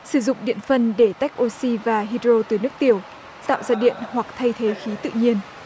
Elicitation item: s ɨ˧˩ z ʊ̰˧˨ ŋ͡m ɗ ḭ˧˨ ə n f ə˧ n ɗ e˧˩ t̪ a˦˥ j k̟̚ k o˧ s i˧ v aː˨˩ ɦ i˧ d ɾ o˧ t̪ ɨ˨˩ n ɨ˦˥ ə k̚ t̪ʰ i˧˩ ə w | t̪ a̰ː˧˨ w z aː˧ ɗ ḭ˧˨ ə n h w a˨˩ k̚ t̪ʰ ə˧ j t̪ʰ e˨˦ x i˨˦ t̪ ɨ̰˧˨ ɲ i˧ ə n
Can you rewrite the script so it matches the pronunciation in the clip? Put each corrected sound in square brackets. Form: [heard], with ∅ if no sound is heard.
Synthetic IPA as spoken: s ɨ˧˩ z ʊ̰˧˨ ŋ͡m ɗ ḭ˧˨ ə n f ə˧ n ɗ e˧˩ t̪ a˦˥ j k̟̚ [ʔ] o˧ s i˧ v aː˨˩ ɦ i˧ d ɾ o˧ t̪ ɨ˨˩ n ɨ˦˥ ə k̚ [t̪] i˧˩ ə w | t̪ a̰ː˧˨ w z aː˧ ɗ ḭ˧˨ ə n h w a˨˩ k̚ t̪ʰ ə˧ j t̪ʰ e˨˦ x i˨˦ t̪ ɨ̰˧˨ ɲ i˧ ə n